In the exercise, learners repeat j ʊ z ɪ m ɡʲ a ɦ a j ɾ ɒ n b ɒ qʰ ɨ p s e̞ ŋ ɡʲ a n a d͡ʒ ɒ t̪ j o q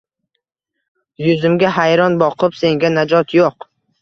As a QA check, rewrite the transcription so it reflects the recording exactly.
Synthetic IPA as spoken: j ʊ z ɪ m ɡʲ a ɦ a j ɾ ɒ n b ɒ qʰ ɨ p s e̞ ŋ ɡʲ a n a d͡ʒ ɒ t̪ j o q